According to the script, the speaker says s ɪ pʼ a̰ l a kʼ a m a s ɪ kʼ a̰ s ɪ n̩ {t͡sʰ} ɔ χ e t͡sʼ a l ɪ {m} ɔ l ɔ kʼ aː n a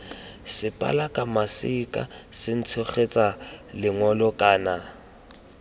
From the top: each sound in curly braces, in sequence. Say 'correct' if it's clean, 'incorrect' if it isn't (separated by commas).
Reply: correct, incorrect